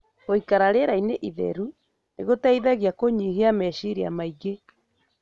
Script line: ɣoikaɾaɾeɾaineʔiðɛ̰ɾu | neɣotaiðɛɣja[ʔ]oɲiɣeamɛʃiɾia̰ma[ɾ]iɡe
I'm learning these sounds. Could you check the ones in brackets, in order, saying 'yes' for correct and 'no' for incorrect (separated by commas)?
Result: no, no